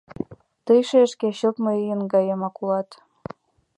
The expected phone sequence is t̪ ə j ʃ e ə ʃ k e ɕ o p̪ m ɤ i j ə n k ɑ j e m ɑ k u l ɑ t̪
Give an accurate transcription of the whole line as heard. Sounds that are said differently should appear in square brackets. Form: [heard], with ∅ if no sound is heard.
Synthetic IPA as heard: t̪ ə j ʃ e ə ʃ k e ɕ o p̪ m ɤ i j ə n [ɡ] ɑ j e m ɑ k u l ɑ t̪